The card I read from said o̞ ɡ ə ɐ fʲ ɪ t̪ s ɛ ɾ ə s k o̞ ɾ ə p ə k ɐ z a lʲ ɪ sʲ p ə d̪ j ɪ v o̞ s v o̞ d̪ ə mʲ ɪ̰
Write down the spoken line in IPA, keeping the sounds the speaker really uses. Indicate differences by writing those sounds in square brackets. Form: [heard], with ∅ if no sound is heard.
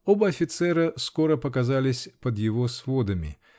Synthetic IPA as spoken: o̞ [b] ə ɐ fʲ ɪ t̪ s ɛ ɾ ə s k o̞ ɾ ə p ə k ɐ z a lʲ ɪ sʲ p ə d̪ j ɪ v o̞ s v o̞ d̪ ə mʲ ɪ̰